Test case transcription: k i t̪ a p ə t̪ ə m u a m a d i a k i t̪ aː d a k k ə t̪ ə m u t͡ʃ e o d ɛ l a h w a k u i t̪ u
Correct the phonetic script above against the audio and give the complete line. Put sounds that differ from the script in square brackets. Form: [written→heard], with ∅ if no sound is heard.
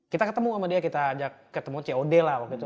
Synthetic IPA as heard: k i t̪ a [p→k] ə t̪ ə m u a m a d i a k i t̪ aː [d→d͡ʒ] a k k ə t̪ ə m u t͡ʃ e o d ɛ l a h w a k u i t̪ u